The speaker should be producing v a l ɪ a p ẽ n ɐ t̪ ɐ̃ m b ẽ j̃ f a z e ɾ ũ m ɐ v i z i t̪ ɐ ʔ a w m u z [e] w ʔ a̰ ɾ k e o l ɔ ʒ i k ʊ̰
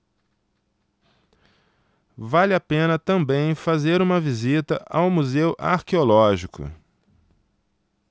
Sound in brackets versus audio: correct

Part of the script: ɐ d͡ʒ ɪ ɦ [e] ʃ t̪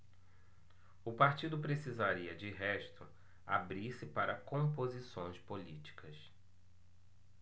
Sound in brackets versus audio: incorrect: ɛ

